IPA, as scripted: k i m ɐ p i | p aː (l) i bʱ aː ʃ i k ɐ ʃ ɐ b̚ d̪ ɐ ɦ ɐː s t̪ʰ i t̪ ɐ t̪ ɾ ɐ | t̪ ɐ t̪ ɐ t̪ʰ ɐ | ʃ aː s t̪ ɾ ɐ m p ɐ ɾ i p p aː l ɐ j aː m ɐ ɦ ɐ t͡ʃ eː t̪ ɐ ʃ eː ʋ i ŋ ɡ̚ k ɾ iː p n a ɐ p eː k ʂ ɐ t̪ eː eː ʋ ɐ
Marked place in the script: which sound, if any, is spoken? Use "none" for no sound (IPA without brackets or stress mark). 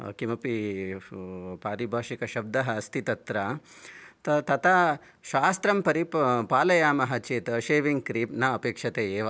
ɾ